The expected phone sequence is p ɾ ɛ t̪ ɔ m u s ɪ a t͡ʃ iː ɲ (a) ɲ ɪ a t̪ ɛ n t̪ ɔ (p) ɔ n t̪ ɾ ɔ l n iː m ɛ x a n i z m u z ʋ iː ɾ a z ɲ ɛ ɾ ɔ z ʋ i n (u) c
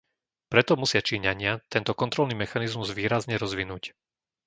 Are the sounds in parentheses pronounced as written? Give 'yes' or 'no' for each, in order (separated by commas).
yes, no, no